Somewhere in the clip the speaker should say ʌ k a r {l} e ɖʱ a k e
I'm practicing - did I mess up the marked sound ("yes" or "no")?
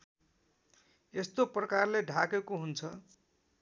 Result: no